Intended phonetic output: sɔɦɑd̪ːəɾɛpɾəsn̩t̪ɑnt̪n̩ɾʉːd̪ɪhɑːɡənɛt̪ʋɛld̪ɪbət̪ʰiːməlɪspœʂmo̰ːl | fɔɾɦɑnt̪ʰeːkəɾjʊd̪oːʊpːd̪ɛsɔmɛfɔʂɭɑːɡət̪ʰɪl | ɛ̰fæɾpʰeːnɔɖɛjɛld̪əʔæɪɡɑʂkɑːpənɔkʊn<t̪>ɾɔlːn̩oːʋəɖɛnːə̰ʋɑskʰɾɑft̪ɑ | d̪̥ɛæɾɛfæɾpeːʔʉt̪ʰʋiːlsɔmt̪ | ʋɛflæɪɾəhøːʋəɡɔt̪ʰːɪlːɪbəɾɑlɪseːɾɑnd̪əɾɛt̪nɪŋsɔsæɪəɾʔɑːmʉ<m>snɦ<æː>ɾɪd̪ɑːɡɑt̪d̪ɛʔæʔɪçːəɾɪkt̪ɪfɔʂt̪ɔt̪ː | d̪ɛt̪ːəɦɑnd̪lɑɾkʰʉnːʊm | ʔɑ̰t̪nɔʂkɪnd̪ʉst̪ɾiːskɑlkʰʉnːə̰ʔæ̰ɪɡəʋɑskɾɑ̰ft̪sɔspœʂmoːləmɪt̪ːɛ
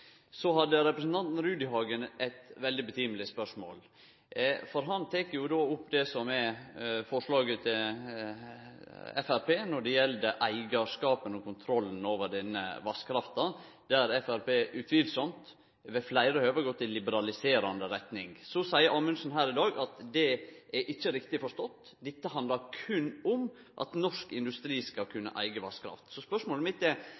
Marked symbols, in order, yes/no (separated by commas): no, no, yes